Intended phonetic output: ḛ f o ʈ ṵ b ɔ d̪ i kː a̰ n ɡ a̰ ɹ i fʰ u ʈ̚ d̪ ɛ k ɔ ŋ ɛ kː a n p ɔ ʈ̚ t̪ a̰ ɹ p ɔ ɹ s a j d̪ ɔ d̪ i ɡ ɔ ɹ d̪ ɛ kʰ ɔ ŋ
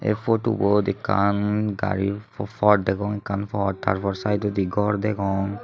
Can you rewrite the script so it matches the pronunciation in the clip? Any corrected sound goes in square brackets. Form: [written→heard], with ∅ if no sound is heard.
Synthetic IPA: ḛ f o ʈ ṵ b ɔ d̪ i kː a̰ n ɡ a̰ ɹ i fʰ [u→ɔ] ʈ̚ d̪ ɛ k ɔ ŋ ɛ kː a n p ɔ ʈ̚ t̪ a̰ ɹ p ɔ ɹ s a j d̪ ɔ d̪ i ɡ ɔ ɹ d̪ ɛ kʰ ɔ ŋ